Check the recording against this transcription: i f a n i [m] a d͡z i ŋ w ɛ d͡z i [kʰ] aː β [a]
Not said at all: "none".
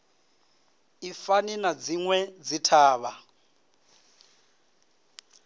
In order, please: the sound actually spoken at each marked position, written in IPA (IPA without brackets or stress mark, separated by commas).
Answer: n, tʰ, a